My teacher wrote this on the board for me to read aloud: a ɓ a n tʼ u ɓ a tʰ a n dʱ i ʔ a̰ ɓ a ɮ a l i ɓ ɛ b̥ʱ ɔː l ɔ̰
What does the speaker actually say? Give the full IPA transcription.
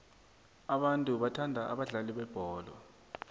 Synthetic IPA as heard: a ɓ a n tʼ u ɓ a tʰ a n dʱ a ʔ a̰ ɓ a ɮ a l i ɓ ɛ b̥ʱ ɔː l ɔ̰